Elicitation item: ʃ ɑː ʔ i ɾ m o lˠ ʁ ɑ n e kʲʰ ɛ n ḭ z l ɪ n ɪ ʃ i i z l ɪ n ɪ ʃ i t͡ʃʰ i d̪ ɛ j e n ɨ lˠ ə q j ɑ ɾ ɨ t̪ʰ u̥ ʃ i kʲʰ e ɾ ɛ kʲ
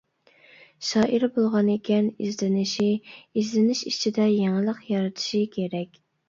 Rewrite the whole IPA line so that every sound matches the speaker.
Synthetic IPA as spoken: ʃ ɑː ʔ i ɾ b o lˠ ʁ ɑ n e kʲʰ ɛ n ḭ z l ɪ n ɪ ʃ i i z l ɪ n ɪ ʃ i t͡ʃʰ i d̪ ɛ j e ŋ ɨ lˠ ə q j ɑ ɾ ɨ t̪ʰ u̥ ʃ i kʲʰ e ɾ ɛ kʲ